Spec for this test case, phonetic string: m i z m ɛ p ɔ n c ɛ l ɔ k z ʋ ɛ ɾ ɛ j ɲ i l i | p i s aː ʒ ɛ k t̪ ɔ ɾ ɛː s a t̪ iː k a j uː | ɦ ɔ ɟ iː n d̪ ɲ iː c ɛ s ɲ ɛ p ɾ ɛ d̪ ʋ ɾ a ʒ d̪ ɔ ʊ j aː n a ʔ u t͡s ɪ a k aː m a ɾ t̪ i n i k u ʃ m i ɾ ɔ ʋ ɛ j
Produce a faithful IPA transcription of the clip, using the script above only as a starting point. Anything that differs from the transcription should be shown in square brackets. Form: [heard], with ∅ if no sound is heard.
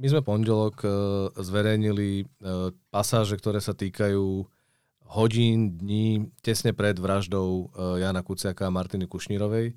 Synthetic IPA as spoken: m i z m ɛ p ɔ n [ɟ] ɛ l ɔ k z ʋ ɛ ɾ ɛ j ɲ i l i | p [a] s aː ʒ ɛ k t̪ ɔ ɾ ɛː s a t̪ iː k a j uː | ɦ ɔ ɟ iː n d̪ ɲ iː c ɛ s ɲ ɛ p ɾ ɛ d̪ ʋ ɾ a ʒ d̪ ɔ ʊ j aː n a [k] u t͡s ɪ a k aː m a ɾ t̪ i n i k u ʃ [ɲ] i ɾ ɔ ʋ ɛ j